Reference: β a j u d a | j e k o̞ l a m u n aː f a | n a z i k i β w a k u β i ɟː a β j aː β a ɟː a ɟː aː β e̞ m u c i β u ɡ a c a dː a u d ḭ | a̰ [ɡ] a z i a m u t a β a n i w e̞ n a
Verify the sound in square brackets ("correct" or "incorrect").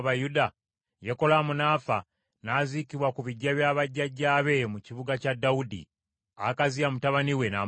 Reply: incorrect